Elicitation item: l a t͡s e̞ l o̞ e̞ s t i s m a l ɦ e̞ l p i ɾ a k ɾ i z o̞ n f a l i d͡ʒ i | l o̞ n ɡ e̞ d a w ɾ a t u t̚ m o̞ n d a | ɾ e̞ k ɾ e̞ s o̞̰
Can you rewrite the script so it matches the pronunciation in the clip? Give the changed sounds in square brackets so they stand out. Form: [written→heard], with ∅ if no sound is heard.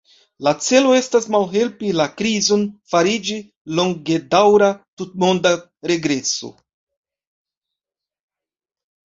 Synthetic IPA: l a t͡s e̞ l o̞ e̞ s t [i→a] s m a l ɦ e̞ l p i [ɾ→l] a k ɾ i z o̞ n f a [l→ɾ] i d͡ʒ i | l o̞ [n→ŋ] ɡ e̞ d a w ɾ a t u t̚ m o̞ n d a | ɾ e̞ [k→ɡ] ɾ e̞ s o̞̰